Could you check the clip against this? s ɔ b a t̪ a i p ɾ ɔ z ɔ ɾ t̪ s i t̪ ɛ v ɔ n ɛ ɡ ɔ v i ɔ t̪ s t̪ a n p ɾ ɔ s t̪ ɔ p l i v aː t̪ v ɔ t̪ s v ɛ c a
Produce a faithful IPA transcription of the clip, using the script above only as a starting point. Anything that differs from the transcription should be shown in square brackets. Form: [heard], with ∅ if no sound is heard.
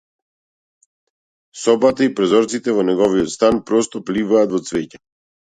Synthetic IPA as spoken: s ɔ b a t̪ a i p ɾ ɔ z ɔ ɾ t̪ s i t̪ ɛ v ɔ n ɛ ɡ ɔ v i ɔ t̪ s t̪ a n p ɾ ɔ s t̪ ɔ p l i v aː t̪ v ɔ t̪ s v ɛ c a

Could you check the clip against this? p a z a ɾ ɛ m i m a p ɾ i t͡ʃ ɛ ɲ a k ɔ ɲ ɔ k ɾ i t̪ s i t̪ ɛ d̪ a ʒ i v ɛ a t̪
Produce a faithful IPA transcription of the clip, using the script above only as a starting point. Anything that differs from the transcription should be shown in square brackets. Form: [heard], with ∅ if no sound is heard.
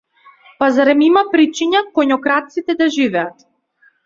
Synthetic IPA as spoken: p a z a ɾ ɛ m i m a p ɾ i t͡ʃ [i] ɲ a k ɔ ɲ ɔ k ɾ [a] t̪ s i t̪ ɛ d̪ a ʒ i v ɛ a t̪

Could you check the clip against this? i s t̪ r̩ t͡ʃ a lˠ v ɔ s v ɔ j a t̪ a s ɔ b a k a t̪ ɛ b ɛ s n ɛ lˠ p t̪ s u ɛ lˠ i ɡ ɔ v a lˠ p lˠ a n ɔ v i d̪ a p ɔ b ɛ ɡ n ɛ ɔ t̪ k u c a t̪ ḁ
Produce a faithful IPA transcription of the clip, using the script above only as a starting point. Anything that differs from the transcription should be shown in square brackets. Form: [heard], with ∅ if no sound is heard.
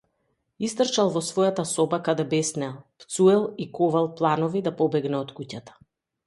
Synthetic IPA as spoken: i s t̪ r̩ t͡ʃ a lˠ v ɔ s v ɔ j a t̪ a s ɔ b a k a [d̪] ɛ b ɛ s n ɛ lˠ p t̪ s u ɛ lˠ i [k] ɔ v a lˠ p lˠ a n ɔ v i d̪ a p ɔ b ɛ ɡ n ɛ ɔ t̪ k u c a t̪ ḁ

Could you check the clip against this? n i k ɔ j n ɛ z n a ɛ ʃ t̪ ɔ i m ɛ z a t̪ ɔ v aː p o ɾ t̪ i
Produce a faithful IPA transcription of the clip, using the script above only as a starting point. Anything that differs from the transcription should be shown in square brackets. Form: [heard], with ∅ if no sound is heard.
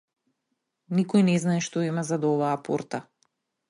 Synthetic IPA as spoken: n i k ɔ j n ɛ z n a ɛ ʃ t̪ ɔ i m [a] z a [d̪] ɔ v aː p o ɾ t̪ [a]

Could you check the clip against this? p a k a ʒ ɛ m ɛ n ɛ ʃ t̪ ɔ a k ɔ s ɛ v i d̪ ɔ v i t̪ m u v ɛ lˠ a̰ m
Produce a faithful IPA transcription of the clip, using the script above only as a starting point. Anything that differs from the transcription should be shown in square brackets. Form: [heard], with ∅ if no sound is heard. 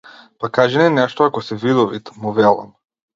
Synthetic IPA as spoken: p a k a ʒ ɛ [n] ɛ n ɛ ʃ t̪ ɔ a k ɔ s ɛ v i d̪ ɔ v i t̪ m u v ɛ lˠ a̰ m

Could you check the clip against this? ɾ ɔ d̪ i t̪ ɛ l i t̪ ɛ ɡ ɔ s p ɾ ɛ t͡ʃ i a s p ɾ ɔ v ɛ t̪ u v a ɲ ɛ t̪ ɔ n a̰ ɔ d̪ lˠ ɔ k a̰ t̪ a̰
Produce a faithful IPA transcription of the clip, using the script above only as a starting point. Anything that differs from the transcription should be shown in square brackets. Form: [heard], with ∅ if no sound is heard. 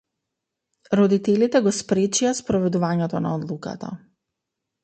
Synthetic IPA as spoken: ɾ ɔ d̪ i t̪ ɛ l i t̪ ɛ ɡ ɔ s p ɾ ɛ t͡ʃ i a s p ɾ ɔ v ɛ [d̪] u v a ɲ ɛ t̪ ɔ n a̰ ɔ d̪ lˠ [u] k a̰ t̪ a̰

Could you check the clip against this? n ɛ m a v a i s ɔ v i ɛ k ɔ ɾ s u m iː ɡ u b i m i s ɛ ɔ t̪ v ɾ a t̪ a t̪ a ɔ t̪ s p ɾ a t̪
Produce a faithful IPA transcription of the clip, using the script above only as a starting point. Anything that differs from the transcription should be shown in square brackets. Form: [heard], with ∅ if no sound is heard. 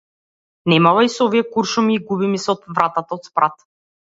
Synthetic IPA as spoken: n ɛ m a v a i s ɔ v i ɛ k [u] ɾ [ʃ] u m iː ɡ u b i m i s ɛ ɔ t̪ v ɾ a t̪ a t̪ a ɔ t̪ s p ɾ a t̪

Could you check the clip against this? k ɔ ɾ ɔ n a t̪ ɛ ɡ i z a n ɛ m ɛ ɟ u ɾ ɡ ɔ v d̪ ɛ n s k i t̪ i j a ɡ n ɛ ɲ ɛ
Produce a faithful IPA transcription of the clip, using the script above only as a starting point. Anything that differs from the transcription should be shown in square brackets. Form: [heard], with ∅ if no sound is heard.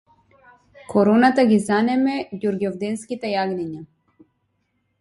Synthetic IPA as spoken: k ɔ ɾ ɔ n a t̪ [a] ɡ i z a n ɛ m ɛ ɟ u ɾ ɡ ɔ v d̪ ɛ n s k i t̪ [ɛ] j a ɡ n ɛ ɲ [a]

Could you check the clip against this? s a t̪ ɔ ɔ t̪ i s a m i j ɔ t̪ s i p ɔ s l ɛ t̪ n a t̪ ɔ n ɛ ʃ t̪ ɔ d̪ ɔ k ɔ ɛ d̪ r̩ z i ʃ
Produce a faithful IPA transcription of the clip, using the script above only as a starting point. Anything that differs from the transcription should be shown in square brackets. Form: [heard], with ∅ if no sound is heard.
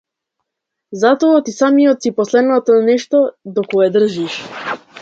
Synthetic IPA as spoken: [z] a t̪ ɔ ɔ t̪ i s a m i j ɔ t̪ s i p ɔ s l ɛ [d̪] n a t̪ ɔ n ɛ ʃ t̪ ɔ d̪ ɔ k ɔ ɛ d̪ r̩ [ʒ] i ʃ

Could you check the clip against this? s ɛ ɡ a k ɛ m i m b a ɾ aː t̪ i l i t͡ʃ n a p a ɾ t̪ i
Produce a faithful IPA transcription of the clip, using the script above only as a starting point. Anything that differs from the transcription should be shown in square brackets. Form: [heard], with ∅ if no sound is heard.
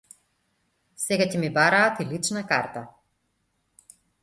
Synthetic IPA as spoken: s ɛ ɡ a [c] ɛ m i [∅] b a ɾ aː t̪ i l i t͡ʃ n a [k] a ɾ t̪ [a]

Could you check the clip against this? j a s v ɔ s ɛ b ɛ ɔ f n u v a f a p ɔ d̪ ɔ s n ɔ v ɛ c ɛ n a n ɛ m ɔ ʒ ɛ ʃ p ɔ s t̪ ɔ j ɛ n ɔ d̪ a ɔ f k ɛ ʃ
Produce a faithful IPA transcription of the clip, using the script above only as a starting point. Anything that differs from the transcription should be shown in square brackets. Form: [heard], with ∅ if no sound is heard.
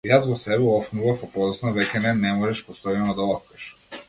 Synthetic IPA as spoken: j a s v ɔ s ɛ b ɛ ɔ f n u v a f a p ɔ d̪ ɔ s n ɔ v ɛ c ɛ n [ɛ] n ɛ m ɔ ʒ ɛ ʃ p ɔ s t̪ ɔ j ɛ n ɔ d̪ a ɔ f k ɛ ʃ

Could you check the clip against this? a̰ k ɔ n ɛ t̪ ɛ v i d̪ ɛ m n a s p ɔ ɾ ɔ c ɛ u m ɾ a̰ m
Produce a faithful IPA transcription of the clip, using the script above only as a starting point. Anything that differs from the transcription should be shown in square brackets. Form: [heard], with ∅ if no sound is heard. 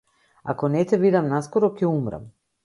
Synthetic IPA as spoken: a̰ k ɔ n ɛ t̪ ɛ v i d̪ [a] m n a s [k] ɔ ɾ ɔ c ɛ u m ɾ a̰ m

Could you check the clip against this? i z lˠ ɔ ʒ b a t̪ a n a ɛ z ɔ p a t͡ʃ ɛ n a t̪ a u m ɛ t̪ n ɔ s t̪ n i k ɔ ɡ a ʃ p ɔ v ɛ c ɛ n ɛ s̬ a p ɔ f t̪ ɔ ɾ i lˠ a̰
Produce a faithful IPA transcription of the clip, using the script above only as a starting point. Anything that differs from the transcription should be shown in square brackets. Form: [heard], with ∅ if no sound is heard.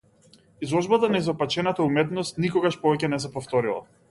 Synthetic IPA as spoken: i z lˠ ɔ ʒ b a t̪ a n a [i] z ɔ p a t͡ʃ ɛ n a t̪ a u m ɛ t̪ n ɔ s t̪ n i k ɔ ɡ a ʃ p ɔ v ɛ c ɛ n ɛ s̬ [ɛ] p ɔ f t̪ ɔ ɾ i lˠ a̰

